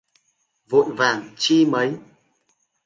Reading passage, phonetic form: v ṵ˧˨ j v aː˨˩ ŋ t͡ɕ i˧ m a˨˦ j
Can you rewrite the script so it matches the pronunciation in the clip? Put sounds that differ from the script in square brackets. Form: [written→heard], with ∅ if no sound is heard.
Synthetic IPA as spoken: v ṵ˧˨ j v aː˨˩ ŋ t͡ɕ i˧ m [a˨˦→ə˨˦] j